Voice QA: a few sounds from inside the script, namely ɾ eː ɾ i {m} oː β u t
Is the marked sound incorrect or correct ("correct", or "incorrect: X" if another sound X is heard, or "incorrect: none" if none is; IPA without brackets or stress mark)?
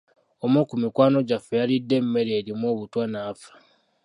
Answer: correct